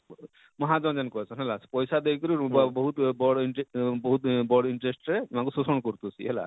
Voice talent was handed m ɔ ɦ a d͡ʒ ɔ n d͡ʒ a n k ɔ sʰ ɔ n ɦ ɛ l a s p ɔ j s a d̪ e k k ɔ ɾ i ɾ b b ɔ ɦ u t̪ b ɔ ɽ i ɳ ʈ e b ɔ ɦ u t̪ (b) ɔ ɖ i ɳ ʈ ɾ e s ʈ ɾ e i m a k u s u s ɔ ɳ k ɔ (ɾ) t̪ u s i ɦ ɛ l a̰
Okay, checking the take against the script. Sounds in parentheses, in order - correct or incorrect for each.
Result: correct, correct

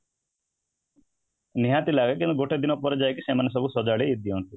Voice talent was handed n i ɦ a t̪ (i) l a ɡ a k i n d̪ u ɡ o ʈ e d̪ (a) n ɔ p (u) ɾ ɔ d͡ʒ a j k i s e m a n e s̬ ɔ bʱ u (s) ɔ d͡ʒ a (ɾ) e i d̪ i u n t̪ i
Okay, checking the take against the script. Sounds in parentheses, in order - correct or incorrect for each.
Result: correct, incorrect: i, incorrect: ɔ, correct, incorrect: ɭ

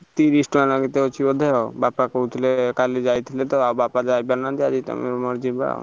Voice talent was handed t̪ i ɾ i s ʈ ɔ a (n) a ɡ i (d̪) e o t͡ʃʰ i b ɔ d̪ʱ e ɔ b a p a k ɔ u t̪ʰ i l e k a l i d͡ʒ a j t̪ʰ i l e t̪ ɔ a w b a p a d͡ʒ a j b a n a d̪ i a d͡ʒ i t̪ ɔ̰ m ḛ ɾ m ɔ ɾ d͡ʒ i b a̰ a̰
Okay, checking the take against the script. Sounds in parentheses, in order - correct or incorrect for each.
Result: correct, incorrect: t̪

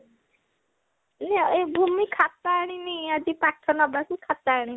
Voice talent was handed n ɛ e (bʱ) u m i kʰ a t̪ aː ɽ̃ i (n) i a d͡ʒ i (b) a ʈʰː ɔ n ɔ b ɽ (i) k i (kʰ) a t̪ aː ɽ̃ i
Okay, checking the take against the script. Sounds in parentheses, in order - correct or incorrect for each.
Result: correct, correct, incorrect: p, incorrect: a, correct

